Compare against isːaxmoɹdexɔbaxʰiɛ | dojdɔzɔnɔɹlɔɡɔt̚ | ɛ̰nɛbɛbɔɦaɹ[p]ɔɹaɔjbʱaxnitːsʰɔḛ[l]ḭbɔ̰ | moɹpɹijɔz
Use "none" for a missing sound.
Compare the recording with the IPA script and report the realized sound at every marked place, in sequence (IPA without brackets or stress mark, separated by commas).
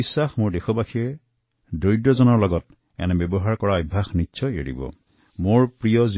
k, ɹ